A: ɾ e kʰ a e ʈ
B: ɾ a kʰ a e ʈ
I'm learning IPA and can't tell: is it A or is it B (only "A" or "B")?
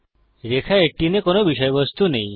A